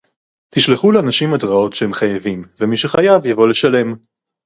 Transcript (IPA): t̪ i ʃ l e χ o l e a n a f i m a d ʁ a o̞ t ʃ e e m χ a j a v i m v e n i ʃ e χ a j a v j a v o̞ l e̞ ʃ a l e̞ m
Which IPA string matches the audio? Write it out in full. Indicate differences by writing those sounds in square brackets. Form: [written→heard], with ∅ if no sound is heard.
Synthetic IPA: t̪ i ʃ l e χ [o→u] l e a n a [f→ʃ] i m a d ʁ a o̞ t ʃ e e m χ a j a v i m v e [n→m] i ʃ e χ a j a v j a v o̞ l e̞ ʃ a l e̞ m